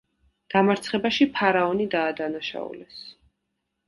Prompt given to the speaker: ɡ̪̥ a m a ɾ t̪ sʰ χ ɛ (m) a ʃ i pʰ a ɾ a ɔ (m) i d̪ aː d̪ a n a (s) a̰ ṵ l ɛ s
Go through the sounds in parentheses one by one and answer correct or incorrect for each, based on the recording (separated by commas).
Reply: incorrect, incorrect, incorrect